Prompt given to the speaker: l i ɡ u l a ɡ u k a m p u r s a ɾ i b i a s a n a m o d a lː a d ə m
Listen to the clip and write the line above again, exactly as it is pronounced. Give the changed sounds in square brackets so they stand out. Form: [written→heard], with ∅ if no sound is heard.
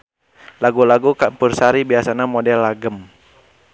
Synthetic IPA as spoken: l [i→a] ɡ u l a ɡ u k a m p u r s a ɾ i b i a s a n a m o d [a→ɛ] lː a [d→ɡ] ə m